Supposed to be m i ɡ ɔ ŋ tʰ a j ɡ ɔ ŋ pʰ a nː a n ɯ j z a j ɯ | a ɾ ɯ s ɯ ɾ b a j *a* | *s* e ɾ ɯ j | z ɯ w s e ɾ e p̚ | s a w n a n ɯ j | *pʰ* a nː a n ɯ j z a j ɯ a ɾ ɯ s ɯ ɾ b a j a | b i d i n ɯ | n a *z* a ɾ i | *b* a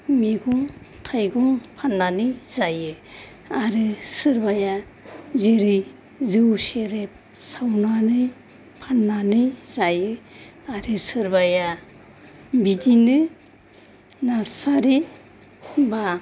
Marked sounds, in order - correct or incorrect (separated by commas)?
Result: correct, incorrect, correct, incorrect, correct